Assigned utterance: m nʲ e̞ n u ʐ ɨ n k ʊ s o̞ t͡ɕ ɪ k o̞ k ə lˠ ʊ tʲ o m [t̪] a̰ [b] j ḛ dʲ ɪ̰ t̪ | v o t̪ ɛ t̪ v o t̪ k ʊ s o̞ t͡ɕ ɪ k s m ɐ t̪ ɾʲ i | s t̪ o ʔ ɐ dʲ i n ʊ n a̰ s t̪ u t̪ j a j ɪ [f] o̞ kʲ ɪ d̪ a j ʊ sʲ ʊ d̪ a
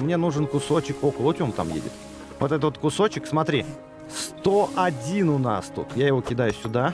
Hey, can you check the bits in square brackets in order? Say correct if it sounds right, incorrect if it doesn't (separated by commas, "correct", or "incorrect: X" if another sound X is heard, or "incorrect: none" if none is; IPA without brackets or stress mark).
correct, incorrect: m, incorrect: v